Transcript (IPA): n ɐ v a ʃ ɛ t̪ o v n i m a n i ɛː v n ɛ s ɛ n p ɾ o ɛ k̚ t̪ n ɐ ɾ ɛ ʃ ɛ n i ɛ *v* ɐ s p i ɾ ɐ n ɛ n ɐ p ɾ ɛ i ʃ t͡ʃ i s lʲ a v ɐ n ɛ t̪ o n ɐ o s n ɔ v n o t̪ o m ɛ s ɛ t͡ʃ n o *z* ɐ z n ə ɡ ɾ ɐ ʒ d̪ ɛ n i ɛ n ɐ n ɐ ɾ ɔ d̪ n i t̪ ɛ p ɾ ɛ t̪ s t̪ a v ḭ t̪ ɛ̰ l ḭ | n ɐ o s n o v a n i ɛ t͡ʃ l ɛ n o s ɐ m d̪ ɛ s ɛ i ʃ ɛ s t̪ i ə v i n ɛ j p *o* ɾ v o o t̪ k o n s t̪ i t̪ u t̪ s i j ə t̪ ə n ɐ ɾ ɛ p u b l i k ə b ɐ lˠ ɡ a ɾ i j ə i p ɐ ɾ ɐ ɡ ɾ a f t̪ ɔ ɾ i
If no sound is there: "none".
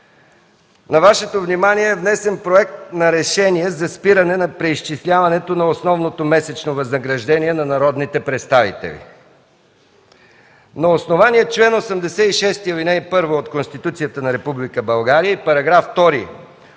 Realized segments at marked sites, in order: z, v, ɤ

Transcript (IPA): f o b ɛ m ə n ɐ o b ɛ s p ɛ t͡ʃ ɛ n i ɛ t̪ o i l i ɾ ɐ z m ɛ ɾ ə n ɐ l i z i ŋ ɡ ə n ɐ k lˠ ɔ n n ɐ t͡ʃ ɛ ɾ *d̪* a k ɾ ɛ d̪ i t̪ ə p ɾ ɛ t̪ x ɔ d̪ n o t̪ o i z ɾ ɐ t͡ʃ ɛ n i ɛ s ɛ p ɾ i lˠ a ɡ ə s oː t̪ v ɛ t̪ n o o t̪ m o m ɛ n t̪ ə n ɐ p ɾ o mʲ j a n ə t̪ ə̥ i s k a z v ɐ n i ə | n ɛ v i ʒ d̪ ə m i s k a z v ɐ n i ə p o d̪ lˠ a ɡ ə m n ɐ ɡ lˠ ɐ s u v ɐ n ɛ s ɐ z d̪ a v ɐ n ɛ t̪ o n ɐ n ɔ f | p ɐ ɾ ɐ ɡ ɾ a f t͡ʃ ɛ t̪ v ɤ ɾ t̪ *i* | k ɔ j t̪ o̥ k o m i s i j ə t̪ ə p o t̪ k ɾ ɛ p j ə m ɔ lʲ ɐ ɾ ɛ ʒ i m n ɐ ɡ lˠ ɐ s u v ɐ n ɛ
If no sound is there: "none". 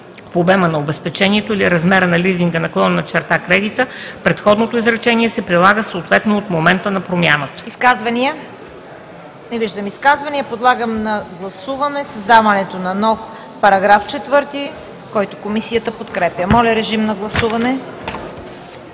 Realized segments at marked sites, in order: t̪, i

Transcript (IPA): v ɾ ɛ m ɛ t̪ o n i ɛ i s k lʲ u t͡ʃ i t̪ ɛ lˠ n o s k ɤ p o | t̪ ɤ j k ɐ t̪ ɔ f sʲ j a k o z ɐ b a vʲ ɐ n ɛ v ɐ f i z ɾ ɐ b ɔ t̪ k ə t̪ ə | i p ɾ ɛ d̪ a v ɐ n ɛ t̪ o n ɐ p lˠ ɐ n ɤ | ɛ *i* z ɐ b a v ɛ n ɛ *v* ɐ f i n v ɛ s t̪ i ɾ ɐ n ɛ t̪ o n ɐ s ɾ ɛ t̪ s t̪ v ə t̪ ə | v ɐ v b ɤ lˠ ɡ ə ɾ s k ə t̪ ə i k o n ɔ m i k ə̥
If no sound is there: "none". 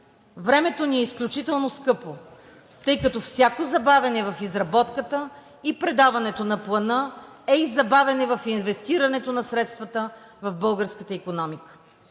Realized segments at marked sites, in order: i, v

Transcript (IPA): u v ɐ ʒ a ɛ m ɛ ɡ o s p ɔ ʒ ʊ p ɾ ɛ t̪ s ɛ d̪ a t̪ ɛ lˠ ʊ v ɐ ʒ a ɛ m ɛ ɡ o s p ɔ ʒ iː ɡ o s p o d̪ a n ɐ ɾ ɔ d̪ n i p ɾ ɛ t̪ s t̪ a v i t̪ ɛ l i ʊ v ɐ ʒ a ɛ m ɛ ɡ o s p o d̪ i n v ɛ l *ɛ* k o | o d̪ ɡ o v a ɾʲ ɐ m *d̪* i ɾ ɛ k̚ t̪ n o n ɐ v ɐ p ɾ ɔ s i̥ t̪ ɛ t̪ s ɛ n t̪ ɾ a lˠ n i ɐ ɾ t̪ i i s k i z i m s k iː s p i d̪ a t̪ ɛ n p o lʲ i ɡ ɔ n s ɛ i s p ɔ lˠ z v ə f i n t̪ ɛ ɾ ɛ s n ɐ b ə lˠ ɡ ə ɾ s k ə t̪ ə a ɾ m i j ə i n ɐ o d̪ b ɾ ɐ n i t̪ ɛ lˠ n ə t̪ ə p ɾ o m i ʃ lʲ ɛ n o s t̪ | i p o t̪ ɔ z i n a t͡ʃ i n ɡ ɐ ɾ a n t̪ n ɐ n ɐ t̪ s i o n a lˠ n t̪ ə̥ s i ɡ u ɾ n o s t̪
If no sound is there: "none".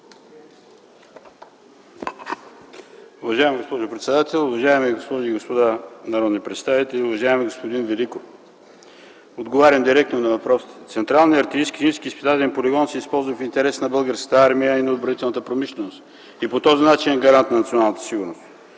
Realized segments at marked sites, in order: i, d̪

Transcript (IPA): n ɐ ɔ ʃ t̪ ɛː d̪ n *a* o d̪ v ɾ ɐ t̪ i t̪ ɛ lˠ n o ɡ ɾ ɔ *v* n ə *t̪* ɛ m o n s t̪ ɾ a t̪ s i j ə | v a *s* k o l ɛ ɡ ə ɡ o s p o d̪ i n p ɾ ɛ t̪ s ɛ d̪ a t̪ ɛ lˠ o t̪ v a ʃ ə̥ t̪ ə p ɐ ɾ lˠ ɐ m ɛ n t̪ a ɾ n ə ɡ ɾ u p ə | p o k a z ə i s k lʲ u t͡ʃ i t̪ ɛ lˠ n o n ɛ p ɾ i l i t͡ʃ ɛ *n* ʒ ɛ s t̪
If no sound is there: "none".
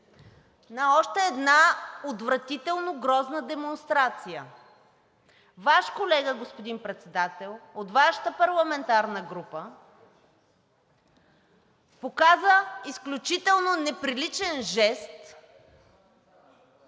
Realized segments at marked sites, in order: a, z, d̪, ʃ, n

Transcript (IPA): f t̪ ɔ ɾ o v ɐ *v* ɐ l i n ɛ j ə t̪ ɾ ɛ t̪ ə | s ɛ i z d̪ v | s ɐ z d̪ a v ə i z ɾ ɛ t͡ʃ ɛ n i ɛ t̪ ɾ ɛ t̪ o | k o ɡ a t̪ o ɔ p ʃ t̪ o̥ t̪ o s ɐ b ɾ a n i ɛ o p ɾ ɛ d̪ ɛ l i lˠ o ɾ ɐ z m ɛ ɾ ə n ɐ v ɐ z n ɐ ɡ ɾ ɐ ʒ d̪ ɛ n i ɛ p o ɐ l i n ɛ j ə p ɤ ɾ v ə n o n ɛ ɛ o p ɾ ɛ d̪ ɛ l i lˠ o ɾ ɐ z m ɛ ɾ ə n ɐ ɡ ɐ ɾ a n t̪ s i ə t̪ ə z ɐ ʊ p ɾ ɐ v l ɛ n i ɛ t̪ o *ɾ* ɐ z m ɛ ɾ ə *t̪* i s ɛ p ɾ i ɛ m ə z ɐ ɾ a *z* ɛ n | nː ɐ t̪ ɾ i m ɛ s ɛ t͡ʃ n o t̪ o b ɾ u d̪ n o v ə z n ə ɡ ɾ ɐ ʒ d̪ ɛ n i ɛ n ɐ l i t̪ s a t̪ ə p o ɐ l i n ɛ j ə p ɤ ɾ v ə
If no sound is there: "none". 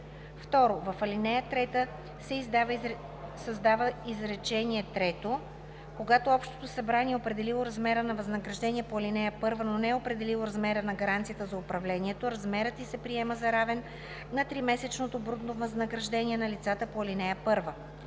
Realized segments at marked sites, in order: f, ɾ, t̪, v

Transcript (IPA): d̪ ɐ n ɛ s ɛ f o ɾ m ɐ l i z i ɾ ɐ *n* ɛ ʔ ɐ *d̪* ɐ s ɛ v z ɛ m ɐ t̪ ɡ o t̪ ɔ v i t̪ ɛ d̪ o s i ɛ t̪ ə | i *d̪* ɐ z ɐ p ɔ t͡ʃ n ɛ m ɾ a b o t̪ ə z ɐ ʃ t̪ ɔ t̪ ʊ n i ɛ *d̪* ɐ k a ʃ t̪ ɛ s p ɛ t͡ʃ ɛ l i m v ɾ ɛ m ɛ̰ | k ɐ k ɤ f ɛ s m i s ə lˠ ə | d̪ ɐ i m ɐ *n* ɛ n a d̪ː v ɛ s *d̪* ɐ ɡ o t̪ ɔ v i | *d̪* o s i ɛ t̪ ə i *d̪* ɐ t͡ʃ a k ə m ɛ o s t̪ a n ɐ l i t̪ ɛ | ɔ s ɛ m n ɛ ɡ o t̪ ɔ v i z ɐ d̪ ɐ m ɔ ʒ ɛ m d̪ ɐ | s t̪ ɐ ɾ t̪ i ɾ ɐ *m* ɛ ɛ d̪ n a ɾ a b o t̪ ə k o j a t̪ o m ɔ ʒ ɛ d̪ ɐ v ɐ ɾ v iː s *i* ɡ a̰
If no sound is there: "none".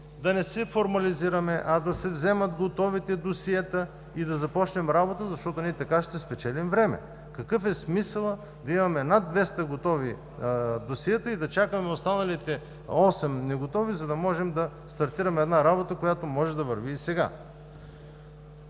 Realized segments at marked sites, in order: m, d̪, d̪, t̪, m, t̪, d̪, d̪, m, ɛ

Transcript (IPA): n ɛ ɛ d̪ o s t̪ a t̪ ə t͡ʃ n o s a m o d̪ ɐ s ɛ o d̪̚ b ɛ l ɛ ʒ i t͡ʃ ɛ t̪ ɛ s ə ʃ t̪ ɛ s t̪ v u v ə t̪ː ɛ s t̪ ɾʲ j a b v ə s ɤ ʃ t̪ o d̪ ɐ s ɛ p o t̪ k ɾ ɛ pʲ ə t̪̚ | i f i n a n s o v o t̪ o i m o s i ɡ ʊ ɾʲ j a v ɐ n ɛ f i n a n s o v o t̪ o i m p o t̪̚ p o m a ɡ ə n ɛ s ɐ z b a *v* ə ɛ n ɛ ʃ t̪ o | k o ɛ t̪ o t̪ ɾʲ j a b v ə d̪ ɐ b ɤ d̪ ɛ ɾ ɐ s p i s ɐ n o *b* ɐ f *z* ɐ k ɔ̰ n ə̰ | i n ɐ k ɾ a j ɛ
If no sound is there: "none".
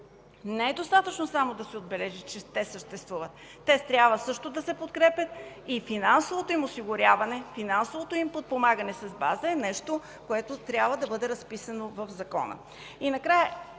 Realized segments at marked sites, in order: z, v, z

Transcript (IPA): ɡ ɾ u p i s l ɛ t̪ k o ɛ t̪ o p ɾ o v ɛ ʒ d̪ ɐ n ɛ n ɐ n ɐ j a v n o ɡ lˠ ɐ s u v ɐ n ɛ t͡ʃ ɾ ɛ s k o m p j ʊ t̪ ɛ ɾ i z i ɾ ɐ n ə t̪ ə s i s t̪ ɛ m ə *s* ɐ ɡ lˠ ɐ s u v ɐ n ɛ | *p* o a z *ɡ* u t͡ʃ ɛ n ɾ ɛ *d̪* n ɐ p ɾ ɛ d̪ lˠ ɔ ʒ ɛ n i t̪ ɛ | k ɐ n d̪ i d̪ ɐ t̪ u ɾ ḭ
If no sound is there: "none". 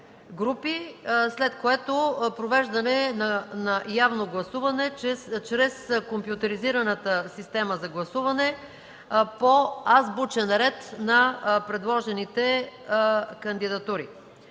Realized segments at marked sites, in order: z, p, b, t̪

